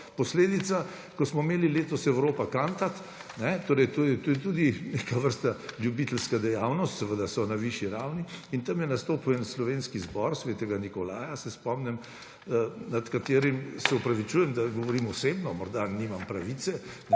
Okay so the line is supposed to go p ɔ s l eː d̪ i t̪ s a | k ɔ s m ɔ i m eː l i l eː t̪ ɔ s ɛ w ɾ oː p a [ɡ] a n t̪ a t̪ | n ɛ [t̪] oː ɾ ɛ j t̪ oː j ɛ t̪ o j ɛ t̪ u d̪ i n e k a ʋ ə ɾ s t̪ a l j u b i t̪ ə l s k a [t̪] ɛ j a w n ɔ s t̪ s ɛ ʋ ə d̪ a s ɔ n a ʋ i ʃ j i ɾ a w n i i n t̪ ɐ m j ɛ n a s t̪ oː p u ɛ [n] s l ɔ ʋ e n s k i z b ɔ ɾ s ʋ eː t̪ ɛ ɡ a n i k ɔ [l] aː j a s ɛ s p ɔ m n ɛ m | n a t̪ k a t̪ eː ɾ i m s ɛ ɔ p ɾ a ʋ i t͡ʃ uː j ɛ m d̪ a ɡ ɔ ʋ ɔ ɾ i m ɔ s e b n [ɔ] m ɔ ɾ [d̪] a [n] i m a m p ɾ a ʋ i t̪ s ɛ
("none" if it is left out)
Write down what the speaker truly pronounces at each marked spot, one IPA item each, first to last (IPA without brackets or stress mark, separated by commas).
k, t̪, d̪, n, l, ɔ, d̪, n